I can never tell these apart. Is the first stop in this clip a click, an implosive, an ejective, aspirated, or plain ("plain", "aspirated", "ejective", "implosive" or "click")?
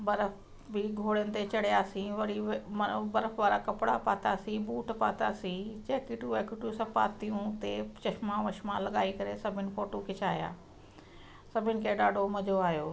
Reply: plain